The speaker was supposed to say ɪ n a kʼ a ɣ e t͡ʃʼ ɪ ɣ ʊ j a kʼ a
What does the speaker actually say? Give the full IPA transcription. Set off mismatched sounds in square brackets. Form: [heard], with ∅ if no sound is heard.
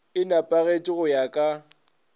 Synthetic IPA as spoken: ɪ n a [pʼ] a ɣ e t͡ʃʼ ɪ ɣ ʊ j a kʼ a